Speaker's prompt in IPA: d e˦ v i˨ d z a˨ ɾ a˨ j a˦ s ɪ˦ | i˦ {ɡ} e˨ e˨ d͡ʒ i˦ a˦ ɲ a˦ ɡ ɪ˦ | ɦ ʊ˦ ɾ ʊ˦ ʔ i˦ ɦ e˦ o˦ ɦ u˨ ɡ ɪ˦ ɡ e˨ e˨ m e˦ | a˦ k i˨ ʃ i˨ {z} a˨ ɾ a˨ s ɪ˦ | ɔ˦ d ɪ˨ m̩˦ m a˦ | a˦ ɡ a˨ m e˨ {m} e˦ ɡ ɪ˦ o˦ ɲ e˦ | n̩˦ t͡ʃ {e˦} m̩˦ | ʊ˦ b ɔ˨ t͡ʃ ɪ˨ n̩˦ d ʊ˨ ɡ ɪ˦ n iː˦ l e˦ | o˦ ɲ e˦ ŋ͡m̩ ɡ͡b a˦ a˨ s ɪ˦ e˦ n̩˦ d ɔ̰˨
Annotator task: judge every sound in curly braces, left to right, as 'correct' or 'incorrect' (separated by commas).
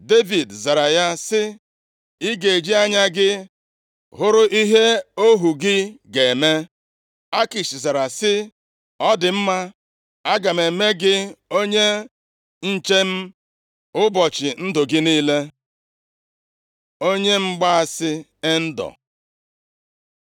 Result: correct, correct, correct, correct